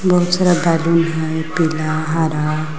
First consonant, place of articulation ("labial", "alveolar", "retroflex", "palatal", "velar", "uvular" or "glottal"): labial